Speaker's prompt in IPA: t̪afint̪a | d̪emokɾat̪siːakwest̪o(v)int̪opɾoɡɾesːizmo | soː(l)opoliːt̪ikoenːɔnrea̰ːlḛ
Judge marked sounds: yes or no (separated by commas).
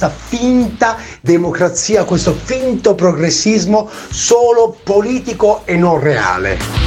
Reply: no, yes